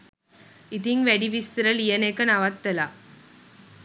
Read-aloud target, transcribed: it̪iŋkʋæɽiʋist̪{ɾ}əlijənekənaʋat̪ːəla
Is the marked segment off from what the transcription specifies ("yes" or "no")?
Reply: no